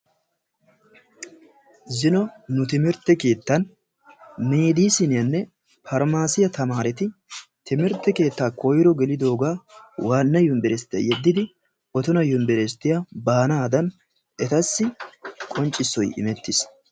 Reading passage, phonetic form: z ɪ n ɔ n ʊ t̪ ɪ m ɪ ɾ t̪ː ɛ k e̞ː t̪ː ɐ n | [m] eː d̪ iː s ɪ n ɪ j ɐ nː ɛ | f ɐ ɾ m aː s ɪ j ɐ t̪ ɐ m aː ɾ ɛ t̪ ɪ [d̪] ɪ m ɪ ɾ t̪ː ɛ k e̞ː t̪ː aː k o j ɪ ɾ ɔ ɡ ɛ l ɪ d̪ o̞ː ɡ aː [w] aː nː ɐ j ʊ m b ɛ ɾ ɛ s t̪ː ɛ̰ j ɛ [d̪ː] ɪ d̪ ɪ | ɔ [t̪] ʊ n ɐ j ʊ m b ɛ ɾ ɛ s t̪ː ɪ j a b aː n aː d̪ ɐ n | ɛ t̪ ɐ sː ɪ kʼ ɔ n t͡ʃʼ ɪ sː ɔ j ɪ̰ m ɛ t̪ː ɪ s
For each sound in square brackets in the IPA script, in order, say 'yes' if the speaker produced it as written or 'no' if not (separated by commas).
yes, no, yes, yes, yes